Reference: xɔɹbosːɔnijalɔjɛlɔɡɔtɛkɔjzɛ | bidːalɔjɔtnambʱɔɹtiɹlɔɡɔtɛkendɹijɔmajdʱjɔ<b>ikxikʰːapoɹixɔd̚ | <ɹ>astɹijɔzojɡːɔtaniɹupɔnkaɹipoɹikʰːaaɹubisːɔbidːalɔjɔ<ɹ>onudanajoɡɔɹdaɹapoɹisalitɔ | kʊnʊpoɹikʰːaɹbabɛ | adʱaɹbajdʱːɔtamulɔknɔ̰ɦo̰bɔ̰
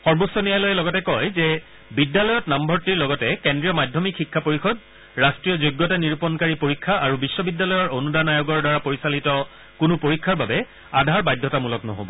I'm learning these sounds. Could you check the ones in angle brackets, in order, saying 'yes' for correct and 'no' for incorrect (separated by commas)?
no, yes, yes